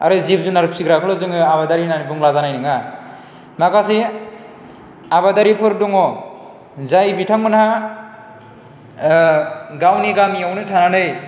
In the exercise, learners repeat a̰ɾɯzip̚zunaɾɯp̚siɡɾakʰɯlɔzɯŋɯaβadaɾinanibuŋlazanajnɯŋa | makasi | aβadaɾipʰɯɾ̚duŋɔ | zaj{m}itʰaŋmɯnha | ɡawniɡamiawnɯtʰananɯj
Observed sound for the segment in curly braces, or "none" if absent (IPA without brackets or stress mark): b